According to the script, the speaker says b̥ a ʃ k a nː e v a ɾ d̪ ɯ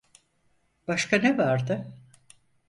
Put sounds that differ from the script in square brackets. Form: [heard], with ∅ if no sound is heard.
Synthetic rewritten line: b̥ a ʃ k a [n] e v a ɾ d̪ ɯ

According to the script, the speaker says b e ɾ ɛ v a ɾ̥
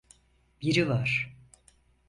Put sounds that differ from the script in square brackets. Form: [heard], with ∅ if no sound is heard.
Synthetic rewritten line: b [i] ɾ [i] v a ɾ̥

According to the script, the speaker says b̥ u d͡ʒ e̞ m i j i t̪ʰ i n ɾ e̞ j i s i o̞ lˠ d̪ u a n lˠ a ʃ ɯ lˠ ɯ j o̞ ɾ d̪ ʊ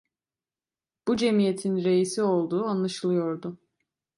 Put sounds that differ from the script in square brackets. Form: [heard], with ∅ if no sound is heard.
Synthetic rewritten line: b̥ u d͡ʒ e̞ m i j [e] t̪ʰ i n ɾ e̞ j i s i o̞ lˠ d̪ [uː] a n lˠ a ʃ ɯ lˠ ɯ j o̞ ɾ d̪ ʊ

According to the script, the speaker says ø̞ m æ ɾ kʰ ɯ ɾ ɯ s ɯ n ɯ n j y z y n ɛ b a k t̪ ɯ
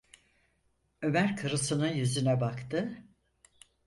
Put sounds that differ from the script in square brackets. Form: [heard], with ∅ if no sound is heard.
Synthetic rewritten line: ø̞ m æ ɾ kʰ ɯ ɾ ɯ s ɯ n ɯ n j y z y n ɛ b a k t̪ ɯ

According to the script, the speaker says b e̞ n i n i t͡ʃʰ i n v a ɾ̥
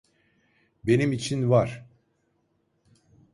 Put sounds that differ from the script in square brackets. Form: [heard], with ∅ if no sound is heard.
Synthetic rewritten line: b e̞ n i [m] i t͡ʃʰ i n v a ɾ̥

